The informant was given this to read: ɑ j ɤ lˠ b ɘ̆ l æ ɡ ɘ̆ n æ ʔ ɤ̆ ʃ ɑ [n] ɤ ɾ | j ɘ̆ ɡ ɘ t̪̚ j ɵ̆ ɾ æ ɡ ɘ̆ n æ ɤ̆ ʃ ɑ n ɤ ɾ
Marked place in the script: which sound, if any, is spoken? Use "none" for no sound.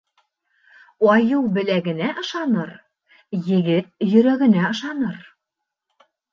n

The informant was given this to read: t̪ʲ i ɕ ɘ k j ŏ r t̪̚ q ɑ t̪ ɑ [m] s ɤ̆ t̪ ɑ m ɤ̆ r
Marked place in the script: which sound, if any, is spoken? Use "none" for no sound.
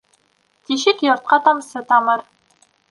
m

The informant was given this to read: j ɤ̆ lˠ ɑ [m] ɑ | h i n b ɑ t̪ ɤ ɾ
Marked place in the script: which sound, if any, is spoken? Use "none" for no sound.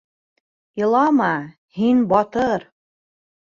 m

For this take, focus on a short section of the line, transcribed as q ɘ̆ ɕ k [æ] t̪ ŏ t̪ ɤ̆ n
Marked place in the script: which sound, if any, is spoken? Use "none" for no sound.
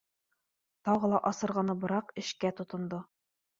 æ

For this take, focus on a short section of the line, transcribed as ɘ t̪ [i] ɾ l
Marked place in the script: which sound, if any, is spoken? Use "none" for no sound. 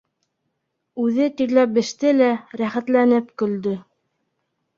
i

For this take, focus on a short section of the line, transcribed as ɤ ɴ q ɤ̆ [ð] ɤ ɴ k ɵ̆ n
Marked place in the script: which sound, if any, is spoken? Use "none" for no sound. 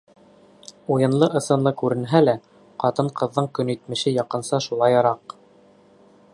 ðː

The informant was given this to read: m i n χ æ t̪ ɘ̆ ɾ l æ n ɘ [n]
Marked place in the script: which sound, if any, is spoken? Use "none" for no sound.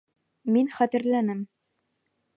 m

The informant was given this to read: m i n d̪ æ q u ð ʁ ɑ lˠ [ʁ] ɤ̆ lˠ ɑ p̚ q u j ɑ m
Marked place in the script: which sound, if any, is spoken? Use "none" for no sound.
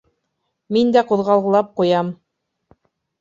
ʁ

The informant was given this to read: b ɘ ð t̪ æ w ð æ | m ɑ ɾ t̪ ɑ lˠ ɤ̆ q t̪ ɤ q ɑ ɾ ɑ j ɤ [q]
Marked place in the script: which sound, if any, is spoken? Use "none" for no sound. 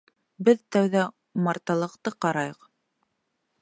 q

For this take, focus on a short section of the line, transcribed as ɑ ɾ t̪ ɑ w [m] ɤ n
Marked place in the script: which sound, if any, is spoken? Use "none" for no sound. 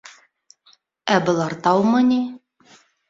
m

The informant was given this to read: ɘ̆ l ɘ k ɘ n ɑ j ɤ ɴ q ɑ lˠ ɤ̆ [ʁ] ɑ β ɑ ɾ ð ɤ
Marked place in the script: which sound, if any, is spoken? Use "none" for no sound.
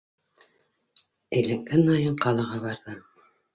ʁ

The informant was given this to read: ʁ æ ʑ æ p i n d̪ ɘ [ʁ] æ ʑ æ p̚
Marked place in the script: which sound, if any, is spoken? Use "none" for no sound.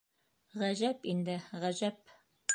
ʁ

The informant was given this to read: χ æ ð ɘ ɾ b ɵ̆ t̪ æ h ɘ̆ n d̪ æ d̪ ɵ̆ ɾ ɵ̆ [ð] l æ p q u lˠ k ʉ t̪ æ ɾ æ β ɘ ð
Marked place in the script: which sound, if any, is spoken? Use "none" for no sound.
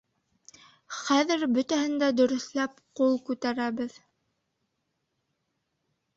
θ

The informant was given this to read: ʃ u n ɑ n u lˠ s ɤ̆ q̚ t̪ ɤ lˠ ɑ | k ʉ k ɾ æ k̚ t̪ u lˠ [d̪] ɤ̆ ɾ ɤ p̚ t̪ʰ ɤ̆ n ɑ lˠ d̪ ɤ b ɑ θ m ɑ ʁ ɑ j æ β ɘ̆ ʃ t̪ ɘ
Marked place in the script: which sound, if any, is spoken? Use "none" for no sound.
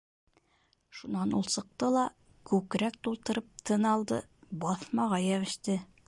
t̪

